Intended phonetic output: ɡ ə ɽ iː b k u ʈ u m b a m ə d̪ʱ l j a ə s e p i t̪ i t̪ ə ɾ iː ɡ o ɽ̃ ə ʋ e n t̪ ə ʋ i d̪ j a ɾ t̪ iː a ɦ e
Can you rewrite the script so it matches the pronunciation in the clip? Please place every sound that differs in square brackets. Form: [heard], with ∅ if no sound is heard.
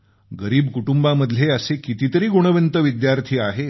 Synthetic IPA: ɡ ə [ɾ] iː b k u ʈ u m b a m ə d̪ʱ l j [e] ə s e [k] i t̪ i t̪ ə ɾ iː ɡ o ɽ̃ ə ʋ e n t̪ ə ʋ i d̪ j a ɾ [t̪ʰ] iː a ɦ e

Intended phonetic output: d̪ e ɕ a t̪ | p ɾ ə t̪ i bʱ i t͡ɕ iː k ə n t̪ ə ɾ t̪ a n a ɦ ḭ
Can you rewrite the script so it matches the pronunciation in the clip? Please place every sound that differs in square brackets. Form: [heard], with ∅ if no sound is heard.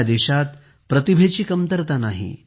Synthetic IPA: d̪ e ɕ a t̪ | p ɾ ə t̪ i bʱ [e] t͡ɕ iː k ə [m] t̪ ə ɾ t̪ a n a ɦ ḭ

